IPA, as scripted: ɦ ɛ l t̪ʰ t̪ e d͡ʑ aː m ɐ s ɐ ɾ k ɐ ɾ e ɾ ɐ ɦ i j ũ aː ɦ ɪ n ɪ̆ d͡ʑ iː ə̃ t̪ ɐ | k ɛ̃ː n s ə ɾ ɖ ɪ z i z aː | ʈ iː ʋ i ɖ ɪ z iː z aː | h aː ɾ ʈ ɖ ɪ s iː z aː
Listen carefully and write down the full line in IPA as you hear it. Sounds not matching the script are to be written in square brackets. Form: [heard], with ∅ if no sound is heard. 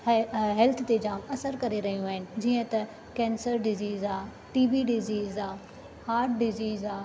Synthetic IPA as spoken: ɦ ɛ l t̪ʰ t̪ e d͡ʑ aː m ɐ s [ə] ɾ k ɐ ɾ e ɾ ɐ ɦ i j ũ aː ɦ ɪ n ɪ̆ d͡ʑ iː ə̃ t̪ ɐ | k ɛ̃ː n s ə ɾ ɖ ɪ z [iː] z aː | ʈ iː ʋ i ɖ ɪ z iː z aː | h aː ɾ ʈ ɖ ɪ [z] iː z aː